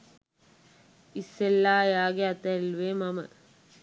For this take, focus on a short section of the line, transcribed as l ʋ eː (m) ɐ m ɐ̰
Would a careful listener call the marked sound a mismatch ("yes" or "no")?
no